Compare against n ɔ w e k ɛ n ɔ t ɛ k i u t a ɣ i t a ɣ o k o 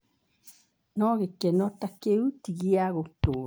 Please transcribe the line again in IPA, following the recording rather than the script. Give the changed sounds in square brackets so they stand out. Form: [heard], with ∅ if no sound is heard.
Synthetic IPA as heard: n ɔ [ɣ] e k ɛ n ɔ t [a] k [e] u t [i] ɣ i [∅] a ɣ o [t] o